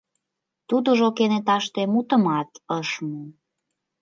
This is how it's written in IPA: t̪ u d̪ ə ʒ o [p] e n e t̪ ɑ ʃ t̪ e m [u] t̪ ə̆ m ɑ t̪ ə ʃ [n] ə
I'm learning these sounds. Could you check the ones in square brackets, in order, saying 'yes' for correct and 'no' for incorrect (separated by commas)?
no, yes, no